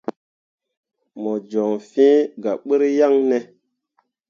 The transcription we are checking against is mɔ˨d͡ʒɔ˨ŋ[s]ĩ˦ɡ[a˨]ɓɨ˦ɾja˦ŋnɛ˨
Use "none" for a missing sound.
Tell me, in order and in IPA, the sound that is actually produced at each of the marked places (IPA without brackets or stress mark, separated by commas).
f, a˨